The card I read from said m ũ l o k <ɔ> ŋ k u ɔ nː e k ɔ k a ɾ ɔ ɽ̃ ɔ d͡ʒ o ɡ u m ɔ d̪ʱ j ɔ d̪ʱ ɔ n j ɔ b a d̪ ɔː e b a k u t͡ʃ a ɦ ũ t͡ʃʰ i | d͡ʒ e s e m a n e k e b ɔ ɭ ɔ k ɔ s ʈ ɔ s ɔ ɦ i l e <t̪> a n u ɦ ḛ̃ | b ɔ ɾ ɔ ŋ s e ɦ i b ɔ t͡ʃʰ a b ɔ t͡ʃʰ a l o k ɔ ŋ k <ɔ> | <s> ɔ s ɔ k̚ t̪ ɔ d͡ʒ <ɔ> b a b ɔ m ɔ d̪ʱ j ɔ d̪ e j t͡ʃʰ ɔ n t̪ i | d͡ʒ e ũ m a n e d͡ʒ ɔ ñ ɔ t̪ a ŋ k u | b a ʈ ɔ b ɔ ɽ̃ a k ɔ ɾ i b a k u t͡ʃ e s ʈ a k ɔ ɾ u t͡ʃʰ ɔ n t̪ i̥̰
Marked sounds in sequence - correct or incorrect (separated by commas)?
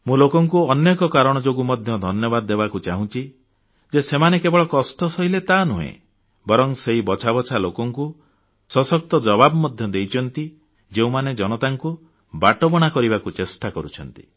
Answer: correct, correct, incorrect, correct, correct